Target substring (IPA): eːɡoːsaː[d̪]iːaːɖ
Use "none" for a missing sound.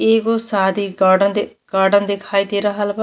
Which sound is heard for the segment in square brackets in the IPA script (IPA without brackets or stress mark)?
d̪